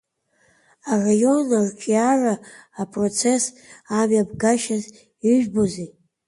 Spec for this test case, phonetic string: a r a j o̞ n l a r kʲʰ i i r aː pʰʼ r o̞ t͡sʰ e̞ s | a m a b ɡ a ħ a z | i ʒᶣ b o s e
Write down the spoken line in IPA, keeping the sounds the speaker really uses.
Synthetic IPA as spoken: a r a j o̞ n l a r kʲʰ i a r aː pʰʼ r o̞ t͡sʰ e̞ s | a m a b ɡ a ʃ a z | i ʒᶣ b o z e